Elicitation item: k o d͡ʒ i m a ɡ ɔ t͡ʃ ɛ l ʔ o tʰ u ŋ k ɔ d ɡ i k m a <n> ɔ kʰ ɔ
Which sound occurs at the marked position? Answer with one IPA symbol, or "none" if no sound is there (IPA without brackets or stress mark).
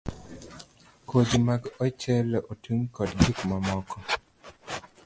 m